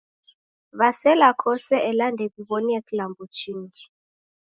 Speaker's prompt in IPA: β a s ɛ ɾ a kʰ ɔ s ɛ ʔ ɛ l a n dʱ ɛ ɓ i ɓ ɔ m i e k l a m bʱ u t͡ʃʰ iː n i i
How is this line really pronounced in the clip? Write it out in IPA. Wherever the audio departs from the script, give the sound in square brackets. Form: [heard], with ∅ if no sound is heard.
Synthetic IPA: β a s ɛ [l] a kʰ ɔ s ɛ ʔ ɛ l a n dʱ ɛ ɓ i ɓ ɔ [n] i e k l a m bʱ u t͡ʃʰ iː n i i